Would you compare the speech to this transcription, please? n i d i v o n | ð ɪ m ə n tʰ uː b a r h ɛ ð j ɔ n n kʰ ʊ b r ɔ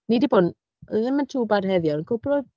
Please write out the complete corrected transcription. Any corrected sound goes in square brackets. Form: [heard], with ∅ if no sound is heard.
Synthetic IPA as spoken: n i d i [b] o n | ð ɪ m ə n tʰ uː b a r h ɛ ð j ɔ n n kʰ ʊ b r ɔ

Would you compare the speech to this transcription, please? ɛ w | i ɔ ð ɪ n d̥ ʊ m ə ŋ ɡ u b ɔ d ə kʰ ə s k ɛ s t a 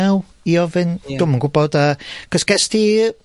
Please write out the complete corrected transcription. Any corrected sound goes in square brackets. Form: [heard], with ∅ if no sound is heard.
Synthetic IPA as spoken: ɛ w | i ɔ [v] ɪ n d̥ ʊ m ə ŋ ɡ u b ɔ d [a] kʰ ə s k ɛ s t [i]

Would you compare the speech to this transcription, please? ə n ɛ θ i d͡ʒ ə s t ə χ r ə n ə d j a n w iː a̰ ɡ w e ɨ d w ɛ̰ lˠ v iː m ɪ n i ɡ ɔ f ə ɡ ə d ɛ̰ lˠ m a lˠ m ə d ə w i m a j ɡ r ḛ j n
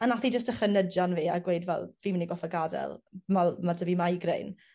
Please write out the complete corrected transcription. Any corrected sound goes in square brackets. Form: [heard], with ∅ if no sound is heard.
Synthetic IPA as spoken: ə n [a] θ i d͡ʒ ə s t ə χ r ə n ə d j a n [v] iː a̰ ɡ w e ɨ d [v] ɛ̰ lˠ v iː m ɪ n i ɡ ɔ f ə ɡ [a] d ɛ̰ lˠ m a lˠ m [a] d ə [v] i m a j ɡ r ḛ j n

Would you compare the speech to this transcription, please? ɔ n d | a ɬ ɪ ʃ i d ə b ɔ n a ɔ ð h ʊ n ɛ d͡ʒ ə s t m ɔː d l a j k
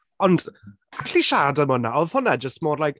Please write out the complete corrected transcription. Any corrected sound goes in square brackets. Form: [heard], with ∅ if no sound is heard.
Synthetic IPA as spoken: ɔ n d | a ɬ [i] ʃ [a] d ə [m] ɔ n a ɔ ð h ʊ n ɛ d͡ʒ ə s t m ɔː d l a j k

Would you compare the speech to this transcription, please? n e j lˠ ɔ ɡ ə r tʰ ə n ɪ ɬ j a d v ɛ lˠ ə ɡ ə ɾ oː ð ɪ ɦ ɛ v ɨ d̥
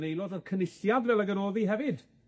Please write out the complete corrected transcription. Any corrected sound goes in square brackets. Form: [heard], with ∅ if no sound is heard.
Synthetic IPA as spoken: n e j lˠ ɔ [d] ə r [kʰ] ə n ɪ ɬ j a d v ɛ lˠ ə ɡ ə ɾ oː ð [i] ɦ ɛ v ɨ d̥

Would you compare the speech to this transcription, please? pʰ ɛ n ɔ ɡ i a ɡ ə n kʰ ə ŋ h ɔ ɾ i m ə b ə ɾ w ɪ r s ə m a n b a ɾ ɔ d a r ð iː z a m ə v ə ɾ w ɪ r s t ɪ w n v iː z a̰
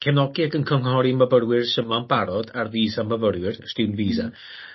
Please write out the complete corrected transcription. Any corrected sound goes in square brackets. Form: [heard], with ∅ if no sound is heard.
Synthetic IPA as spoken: [kʰ] ɛ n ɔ ɡ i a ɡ ə n kʰ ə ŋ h ɔ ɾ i m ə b ə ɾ w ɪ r s ə m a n b a ɾ ɔ d a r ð iː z a m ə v ə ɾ w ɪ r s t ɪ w n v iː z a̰

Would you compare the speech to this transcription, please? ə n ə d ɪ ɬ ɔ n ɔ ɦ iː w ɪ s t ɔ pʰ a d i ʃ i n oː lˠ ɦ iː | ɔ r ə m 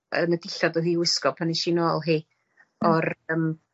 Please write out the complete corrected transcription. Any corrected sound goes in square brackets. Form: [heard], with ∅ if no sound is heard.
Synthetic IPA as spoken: ə n ə d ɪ ɬ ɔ [d] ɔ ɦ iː w ɪ s [k] ɔ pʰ a [n] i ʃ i n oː lˠ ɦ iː | ɔ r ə m

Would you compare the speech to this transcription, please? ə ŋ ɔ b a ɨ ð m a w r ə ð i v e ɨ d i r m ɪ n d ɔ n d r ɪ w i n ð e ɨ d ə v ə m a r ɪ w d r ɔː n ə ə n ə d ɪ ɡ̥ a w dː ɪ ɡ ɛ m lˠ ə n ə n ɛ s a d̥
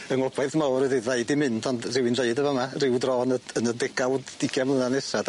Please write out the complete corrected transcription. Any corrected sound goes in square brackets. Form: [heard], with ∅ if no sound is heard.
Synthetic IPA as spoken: ə ŋ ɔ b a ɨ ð m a w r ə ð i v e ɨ d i [∅] m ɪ n d ɔ n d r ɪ w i n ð e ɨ d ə v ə m a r ɪ w d r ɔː n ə ə n ə d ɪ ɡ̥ a w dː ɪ ɡ ɛ m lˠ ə n [a] n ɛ s a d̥

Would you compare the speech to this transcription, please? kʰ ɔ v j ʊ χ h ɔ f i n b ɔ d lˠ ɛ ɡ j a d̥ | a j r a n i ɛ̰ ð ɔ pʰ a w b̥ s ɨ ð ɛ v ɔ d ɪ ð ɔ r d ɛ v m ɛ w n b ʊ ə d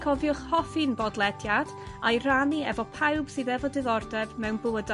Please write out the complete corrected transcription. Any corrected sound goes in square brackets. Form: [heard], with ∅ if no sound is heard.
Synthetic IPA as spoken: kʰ ɔ v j ʊ χ h ɔ f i n b ɔ d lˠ ɛ [d] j a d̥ | a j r a n i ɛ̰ [v] ɔ pʰ a w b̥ s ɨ ð ɛ v ɔ d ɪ ð ɔ r d ɛ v m ɛ w n b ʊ ə d

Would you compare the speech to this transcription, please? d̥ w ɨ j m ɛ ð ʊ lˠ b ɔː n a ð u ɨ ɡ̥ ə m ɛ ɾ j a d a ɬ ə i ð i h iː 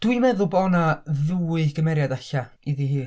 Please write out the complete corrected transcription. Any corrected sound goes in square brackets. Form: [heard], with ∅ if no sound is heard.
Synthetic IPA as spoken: d̥ w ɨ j m ɛ ð ʊ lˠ b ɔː n a ð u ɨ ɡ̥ ə m ɛ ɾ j a d a ɬ [a] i ð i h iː

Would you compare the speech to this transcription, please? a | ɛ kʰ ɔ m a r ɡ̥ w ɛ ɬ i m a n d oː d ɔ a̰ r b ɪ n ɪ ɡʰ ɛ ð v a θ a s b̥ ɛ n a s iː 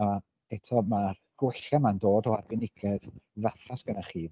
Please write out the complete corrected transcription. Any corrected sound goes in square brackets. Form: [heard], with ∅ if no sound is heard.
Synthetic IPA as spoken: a | ɛ [tʰ] ɔ m a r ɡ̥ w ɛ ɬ [a] m a n d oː d ɔ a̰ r b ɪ n ɪ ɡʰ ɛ ð v a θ a s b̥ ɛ n a [χ] iː

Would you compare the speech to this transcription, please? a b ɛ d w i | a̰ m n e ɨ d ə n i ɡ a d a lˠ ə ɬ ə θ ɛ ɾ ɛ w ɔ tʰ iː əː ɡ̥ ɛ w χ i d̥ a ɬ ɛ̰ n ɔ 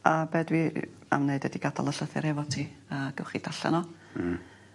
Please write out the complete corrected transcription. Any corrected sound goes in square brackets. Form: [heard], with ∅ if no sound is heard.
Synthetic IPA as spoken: a b ɛ d w i | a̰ m n e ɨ d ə [d] i ɡ a d a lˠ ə ɬ ə θ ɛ ɾ ɛ [v] ɔ tʰ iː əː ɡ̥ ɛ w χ i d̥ a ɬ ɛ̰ n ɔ

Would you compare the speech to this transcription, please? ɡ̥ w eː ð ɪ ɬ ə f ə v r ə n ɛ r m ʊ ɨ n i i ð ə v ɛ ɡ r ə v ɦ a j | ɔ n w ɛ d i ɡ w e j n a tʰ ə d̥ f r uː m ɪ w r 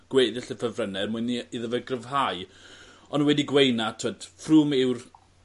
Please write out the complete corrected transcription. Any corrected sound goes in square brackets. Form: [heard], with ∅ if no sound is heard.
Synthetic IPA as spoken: ɡ̥ w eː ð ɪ ɬ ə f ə v r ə n ɛ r m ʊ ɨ n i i ð ə v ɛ ɡ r ə v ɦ a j | ɔ n w ɛ d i ɡ w e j n a tʰ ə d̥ f r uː m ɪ w r

